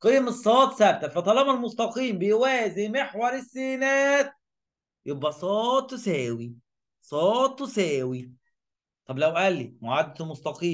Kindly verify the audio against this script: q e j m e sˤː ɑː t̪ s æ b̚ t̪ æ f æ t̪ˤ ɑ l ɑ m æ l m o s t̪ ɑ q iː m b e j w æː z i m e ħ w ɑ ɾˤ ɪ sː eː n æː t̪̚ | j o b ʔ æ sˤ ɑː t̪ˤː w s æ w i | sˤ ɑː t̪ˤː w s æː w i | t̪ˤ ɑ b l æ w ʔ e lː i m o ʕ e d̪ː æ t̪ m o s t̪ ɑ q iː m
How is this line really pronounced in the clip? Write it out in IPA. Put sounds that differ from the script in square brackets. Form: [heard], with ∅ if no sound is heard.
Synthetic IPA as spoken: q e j m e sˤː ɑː t̪ s æ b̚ t̪ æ f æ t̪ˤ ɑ l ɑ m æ l m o s t̪ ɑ q iː m b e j w æː z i m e ħ w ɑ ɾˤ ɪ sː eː n æː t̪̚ | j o b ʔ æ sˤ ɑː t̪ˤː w s [æː] w i | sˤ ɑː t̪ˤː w s æː w i | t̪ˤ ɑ b l æ w ʔ [æ] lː i m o ʕ [a] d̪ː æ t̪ m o s t̪ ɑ q iː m